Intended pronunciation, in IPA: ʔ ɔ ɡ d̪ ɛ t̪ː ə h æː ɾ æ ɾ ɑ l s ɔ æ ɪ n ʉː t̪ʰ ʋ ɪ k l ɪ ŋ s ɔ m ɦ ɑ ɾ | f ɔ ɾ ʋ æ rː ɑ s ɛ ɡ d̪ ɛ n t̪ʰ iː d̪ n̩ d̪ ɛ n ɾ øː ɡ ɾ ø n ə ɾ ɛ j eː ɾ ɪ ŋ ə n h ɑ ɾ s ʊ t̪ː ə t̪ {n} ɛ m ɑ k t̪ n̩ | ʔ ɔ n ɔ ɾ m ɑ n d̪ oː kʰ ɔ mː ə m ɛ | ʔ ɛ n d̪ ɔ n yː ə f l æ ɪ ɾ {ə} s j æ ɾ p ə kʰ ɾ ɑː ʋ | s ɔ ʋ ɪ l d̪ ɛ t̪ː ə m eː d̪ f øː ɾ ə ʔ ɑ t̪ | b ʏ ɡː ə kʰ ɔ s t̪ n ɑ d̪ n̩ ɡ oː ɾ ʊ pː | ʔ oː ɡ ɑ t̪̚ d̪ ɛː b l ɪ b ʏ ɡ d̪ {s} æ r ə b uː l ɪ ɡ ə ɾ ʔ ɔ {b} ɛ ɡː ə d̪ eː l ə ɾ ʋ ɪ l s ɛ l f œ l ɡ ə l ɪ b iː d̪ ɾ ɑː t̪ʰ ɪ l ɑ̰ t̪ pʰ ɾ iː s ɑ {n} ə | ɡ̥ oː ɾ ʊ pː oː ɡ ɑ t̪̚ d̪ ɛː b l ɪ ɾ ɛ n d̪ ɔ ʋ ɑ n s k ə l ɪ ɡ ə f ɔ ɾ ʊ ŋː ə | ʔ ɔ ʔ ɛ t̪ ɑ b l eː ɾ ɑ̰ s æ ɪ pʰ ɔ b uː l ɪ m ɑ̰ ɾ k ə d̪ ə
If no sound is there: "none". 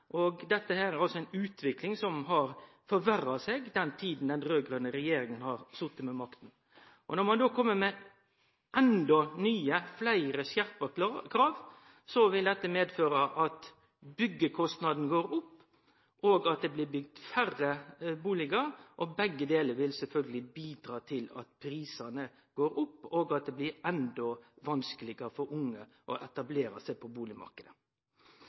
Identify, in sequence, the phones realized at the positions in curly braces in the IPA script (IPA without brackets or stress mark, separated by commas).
m, ə, f, b, n